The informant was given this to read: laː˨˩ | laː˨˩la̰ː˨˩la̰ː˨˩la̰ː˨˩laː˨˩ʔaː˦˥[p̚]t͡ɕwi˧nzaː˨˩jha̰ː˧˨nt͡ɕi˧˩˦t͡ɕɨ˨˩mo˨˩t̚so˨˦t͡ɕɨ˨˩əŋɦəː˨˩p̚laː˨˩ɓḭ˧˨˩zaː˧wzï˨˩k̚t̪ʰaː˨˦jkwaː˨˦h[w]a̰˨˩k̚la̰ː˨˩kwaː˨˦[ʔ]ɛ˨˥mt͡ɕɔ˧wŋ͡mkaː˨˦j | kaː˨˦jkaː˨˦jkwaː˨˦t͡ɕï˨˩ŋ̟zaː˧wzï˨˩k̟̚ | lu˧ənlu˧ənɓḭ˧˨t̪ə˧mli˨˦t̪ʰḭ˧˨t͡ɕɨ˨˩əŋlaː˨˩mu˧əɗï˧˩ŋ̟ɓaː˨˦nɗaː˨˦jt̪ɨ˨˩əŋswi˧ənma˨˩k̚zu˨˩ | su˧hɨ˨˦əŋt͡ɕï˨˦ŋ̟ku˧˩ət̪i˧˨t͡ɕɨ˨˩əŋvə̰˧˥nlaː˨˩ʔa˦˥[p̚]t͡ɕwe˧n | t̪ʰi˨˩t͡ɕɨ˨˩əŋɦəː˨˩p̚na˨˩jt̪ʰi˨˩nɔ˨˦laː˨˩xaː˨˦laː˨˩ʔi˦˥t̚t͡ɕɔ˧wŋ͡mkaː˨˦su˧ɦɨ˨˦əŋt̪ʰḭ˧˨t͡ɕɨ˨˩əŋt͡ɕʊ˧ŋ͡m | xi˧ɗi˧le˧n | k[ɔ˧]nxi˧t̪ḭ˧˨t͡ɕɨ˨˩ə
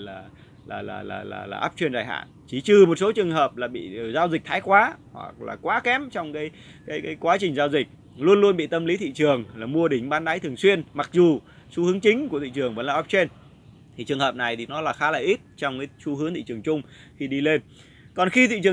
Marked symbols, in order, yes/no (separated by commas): yes, yes, no, yes, no